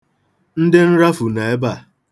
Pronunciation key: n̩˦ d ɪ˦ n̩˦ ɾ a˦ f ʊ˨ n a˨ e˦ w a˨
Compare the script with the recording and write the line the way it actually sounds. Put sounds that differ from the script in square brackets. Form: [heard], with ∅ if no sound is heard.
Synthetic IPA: n̩˦ d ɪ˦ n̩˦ ɾ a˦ f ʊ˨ n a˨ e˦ [b] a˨